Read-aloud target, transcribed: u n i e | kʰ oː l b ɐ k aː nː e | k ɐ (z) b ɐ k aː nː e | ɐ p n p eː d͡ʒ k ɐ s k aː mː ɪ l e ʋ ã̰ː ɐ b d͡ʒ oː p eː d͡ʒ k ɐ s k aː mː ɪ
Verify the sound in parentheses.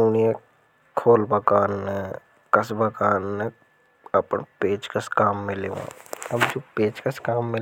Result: incorrect: s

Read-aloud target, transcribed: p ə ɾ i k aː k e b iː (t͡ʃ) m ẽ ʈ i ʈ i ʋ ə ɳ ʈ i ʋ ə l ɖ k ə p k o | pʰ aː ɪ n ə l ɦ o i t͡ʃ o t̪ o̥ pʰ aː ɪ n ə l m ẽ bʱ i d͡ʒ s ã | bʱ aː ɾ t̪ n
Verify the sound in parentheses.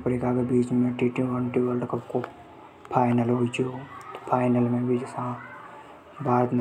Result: correct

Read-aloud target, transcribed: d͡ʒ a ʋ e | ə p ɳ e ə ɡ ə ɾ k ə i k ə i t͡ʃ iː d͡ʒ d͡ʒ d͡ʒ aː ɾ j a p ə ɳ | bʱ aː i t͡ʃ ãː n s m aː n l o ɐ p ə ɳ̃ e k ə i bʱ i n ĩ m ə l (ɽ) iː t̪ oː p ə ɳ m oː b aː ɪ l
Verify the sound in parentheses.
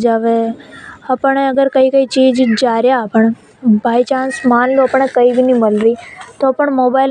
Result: incorrect: ɾ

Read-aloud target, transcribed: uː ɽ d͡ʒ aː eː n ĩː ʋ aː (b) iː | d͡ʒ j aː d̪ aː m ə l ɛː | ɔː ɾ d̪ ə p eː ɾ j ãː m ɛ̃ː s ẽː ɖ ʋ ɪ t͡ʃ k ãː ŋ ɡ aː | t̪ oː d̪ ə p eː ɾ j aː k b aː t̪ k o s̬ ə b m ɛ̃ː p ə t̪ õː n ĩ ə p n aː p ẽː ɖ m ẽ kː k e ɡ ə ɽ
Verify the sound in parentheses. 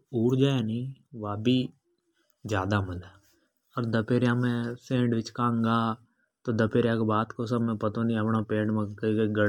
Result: correct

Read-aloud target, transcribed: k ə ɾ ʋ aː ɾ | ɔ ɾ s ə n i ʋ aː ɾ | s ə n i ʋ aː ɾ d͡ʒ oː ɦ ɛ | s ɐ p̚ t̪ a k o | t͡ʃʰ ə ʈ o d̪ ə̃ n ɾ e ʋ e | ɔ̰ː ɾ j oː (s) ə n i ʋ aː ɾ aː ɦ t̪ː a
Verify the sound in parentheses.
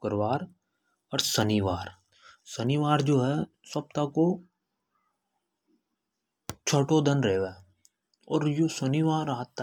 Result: correct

